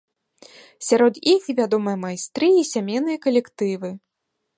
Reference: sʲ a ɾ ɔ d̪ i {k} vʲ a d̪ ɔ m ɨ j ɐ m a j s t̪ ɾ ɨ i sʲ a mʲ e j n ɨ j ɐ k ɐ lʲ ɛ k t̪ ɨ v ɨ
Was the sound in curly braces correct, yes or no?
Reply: no